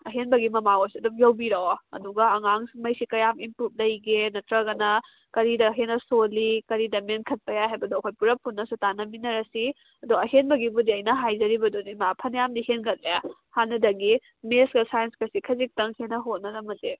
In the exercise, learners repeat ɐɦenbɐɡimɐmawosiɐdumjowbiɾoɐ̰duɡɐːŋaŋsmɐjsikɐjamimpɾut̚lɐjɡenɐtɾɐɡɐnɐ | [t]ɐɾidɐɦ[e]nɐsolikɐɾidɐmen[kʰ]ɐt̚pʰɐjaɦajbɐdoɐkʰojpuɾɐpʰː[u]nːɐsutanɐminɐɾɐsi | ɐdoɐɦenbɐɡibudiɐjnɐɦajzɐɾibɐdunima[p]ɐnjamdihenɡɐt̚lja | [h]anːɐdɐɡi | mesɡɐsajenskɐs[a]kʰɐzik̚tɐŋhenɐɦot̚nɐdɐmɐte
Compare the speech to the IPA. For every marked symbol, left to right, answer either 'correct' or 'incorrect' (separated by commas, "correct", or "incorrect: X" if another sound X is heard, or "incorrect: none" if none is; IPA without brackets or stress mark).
incorrect: k, correct, correct, correct, incorrect: pʰ, correct, incorrect: i